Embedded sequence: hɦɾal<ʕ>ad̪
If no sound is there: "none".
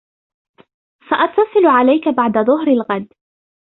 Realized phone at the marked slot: ɣ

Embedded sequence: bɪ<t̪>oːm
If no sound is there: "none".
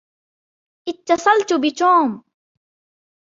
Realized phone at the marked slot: t̪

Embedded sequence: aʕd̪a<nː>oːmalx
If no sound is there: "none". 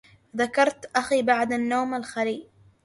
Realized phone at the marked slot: nː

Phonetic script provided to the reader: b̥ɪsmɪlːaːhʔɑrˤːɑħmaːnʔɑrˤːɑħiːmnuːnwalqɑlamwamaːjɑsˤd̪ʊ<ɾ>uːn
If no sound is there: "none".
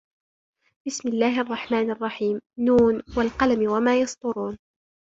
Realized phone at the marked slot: ɾ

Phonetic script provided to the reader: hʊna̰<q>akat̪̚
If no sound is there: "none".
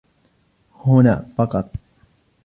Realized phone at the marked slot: p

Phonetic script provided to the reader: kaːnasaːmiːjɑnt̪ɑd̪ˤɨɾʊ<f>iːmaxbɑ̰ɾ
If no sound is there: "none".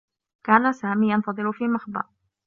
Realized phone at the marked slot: f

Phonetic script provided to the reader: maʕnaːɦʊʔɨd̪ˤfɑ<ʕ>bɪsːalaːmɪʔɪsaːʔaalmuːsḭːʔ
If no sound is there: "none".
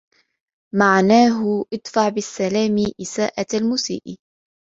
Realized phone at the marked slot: ʕ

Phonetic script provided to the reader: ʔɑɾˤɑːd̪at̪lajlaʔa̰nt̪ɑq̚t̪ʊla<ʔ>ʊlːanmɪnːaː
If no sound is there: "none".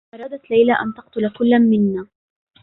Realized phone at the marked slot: k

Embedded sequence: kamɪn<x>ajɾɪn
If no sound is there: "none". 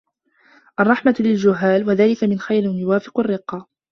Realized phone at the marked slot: x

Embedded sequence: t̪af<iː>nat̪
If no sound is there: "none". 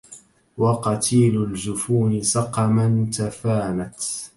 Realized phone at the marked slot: aː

